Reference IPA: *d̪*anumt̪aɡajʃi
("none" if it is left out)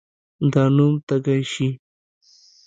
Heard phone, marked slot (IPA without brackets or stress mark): d̪